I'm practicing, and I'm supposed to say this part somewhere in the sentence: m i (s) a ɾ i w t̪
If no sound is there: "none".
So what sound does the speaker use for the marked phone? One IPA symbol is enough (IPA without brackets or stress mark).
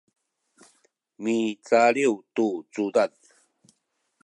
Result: t͡s